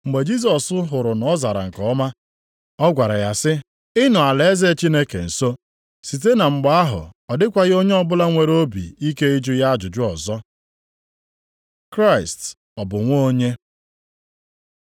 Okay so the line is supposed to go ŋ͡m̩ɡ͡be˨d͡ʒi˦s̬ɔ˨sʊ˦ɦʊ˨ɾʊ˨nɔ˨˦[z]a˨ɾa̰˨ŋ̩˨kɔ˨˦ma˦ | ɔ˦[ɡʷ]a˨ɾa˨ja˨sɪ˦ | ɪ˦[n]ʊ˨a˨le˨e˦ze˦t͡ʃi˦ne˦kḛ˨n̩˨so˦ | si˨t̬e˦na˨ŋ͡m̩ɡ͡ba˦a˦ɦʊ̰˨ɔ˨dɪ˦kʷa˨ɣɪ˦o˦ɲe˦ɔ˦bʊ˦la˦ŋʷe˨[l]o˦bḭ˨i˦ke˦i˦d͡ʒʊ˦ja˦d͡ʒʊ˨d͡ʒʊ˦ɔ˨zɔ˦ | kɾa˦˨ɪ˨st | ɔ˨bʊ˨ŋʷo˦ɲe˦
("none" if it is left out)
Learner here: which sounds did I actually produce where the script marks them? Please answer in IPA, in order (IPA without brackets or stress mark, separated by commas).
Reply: z, ɡʷ, n, ɾ